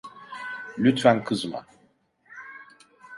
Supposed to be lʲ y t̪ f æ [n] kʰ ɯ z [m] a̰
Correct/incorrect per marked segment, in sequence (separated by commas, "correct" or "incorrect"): correct, correct